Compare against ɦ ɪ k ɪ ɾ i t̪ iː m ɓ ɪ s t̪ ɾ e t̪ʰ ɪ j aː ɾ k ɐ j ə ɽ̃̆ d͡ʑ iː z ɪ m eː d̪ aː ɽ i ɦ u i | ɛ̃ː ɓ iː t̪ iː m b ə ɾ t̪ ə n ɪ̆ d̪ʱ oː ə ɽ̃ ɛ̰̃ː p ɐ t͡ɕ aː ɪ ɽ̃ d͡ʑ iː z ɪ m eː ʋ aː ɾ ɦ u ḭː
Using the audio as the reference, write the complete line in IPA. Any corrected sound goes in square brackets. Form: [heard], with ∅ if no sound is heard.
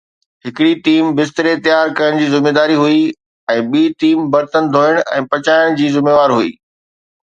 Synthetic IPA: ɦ ɪ k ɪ [ɽ] i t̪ iː m [b] ɪ s t̪ ɾ e [t̪] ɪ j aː ɾ k ɐ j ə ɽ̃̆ d͡ʑ iː z ɪ m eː d̪ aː [ɾ] i ɦ u i | ɛ̃ː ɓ iː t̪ iː m b [ɐ] ɾ t̪ ə n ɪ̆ d̪ʱ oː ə ɽ̃ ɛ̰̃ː p ɐ t͡ɕ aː ɪ ɽ̃ d͡ʑ iː z ɪ m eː ʋ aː ɾ ɦ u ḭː

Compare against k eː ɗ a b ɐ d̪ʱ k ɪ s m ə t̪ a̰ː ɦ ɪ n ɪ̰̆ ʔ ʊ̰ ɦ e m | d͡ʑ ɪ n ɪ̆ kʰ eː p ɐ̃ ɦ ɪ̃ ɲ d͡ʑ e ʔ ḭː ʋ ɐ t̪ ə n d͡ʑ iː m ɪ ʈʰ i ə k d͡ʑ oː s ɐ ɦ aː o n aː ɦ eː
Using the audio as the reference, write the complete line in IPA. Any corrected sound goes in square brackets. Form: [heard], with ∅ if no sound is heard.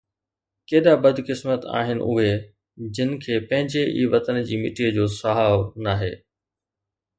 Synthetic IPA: k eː ɗ a b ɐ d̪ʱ k ɪ s m ə t̪ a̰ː ɦ ɪ n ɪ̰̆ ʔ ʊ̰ ɦ e [∅] | d͡ʑ ɪ n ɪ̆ kʰ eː p ɐ̃ ɦ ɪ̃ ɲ d͡ʑ e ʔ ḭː ʋ ɐ t̪ ə n d͡ʑ iː m ɪ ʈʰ i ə [∅] d͡ʑ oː s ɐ ɦ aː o n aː ɦ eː

